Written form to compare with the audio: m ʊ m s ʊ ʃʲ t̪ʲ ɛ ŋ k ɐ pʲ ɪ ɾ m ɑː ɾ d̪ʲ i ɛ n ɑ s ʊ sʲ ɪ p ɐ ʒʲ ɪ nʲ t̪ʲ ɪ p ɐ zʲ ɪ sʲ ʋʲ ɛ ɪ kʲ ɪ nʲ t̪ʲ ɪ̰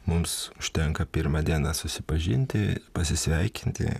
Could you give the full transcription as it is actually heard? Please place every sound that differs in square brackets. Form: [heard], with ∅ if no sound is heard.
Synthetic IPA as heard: m ʊ m s ʊ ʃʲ t̪ʲ ɛ ŋ k ɐ pʲ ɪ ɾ m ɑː [∅] d̪ʲ i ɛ n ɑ s ʊ sʲ ɪ p ɐ ʒʲ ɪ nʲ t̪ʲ ɪ p ɐ [sʲ] ɪ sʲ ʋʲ ɛ ɪ kʲ ɪ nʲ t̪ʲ ɪ̰